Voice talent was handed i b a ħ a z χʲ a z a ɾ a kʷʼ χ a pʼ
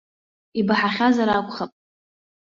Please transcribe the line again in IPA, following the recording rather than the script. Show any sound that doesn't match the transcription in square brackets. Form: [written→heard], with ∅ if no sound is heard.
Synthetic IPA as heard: i b a ħ a [z→∅] χʲ a z a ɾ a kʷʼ χ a pʼ